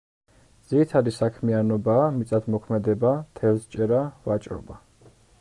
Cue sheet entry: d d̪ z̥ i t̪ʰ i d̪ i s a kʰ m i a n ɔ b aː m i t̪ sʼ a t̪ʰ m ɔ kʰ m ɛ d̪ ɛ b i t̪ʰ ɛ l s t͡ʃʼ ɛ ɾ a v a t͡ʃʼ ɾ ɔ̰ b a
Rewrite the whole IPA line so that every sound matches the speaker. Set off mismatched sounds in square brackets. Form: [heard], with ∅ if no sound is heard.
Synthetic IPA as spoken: d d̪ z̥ i t̪ʰ [a] d̪ i s a kʰ m i a n ɔ b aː m i t̪ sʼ a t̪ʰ m ɔ kʰ m ɛ d̪ ɛ b [a] t̪ʰ ɛ l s t͡ʃʼ ɛ ɾ a v a t͡ʃʼ ɾ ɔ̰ b a